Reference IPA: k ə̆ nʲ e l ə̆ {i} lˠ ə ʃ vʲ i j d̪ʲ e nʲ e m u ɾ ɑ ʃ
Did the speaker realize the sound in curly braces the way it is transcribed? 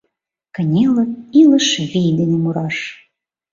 yes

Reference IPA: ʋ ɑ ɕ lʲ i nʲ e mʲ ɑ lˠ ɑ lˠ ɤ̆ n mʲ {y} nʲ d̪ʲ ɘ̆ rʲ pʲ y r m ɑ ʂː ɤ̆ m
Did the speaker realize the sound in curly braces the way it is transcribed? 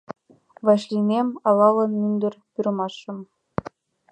yes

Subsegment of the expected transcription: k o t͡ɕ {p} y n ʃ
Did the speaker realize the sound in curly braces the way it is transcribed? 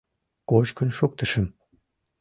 no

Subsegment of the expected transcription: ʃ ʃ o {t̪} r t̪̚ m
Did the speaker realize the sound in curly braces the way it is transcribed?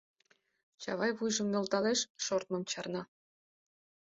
no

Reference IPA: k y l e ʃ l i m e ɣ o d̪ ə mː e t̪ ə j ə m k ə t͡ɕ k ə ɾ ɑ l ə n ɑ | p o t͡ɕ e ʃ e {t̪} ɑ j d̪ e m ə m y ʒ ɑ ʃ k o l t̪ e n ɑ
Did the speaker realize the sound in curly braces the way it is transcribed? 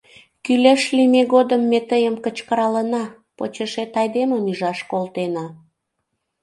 yes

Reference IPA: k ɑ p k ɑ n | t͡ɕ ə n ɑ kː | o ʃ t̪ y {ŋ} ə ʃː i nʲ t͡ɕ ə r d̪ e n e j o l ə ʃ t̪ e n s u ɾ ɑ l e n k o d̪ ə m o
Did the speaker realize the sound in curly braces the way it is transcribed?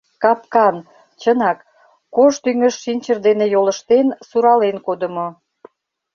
yes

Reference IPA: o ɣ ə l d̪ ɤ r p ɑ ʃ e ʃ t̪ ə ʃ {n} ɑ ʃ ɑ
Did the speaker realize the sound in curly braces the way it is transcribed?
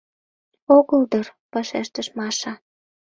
no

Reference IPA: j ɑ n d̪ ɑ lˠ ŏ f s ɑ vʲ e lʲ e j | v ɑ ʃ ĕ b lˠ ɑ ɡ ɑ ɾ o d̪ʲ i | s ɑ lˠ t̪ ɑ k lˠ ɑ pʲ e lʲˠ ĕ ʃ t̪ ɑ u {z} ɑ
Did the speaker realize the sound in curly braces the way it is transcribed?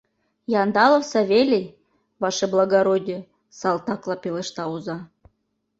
yes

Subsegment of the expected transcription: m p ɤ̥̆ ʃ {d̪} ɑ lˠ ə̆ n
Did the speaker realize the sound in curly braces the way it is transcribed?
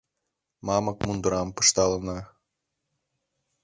no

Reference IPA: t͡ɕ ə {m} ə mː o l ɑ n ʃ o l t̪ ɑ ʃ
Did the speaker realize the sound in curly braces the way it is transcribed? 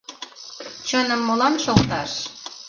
no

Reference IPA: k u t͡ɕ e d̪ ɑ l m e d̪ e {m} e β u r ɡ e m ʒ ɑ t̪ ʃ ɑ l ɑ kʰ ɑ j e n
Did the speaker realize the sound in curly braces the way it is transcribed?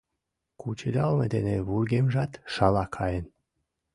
no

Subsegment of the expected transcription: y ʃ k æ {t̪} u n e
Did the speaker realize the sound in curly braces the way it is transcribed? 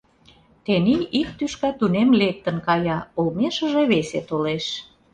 yes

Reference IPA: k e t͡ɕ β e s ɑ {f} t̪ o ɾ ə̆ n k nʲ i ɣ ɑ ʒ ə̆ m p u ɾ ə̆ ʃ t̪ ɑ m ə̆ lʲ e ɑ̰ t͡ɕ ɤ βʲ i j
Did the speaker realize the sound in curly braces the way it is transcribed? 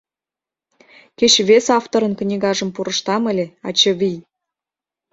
yes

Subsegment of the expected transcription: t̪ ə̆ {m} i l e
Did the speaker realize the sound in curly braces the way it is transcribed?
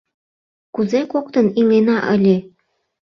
no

